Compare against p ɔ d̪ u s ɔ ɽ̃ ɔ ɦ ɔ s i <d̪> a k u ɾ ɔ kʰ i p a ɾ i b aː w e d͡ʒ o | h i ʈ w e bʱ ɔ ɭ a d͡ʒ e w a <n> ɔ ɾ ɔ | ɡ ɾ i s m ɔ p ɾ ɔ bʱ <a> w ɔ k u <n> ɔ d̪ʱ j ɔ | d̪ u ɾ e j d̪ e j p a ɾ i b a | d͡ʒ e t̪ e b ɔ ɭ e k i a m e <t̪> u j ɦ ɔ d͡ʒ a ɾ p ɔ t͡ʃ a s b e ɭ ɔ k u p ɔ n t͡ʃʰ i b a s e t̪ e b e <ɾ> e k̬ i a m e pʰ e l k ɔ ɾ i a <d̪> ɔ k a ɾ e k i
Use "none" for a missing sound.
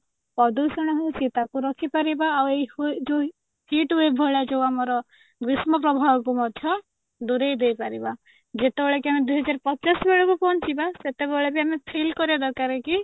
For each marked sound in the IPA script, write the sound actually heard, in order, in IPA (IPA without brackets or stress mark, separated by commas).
t̪, m, a, m, d̪, ɭ, d̪